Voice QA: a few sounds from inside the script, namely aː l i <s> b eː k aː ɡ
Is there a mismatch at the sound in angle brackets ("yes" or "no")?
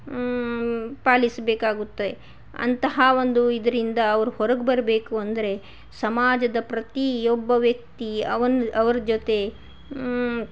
no